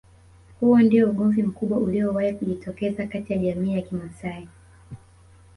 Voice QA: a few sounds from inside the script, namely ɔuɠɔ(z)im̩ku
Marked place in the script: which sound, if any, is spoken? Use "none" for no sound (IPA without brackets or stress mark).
v